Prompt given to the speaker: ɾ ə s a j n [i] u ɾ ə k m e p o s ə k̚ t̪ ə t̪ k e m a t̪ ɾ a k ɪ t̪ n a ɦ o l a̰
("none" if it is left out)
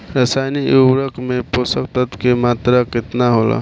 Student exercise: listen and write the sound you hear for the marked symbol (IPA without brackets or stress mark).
i